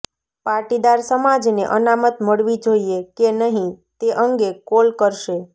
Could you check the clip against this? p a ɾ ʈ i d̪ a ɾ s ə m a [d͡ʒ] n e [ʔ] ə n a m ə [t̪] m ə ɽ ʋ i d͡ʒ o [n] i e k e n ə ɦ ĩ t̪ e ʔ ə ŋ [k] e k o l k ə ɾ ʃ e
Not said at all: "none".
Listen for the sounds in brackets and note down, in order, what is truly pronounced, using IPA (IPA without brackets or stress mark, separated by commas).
d͡ʒ, ʔ, t̪, none, ɡ